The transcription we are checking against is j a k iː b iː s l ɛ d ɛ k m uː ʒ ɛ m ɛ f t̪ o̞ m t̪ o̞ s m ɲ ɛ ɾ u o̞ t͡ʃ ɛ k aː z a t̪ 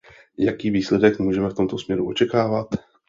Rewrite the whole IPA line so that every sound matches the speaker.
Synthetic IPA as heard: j a k iː v iː s l ɛ d ɛ k m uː ʒ ɛ m ɛ f t̪ o̞ m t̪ o̞ s m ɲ ɛ ɾ u o̞ t͡ʃ ɛ k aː v a t̪